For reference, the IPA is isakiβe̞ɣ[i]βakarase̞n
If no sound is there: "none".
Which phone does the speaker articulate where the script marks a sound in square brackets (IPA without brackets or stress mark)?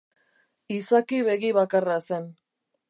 i